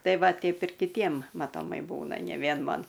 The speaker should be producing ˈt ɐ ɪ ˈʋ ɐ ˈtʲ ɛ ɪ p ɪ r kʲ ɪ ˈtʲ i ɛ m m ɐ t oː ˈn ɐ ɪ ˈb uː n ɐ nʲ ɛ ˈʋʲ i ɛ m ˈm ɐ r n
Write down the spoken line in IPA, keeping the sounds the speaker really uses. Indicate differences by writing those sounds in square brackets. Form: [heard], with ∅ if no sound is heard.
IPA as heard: ˈt ɐ ɪ ˈʋ ɐ ˈtʲ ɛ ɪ p ɪ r kʲ ɪ ˈtʲ i ɛ m m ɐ t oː [ˈm] ɐ ɪ ˈb uː n ɐ nʲ ɛ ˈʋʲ i ɛ [n] ˈm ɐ [∅] n